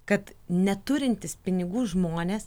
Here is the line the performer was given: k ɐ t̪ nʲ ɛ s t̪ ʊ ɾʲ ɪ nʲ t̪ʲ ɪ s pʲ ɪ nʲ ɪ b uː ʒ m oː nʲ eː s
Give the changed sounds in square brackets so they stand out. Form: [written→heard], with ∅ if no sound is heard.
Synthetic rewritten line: k ɐ t̪ nʲ ɛ [s→∅] t̪ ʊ ɾʲ ɪ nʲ t̪ʲ ɪ s pʲ ɪ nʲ ɪ [b→ɡ] uː ʒ m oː nʲ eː s